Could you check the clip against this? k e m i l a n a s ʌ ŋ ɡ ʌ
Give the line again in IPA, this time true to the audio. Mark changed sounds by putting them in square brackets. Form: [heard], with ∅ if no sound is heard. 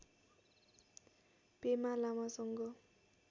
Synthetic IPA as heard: [p] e m [a] l a [m] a s ʌ ŋ ɡ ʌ